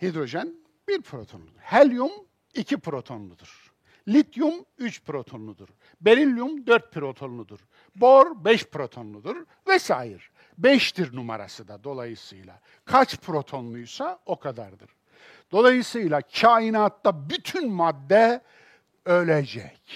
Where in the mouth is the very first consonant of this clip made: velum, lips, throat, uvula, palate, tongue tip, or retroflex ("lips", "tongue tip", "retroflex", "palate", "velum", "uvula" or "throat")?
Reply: throat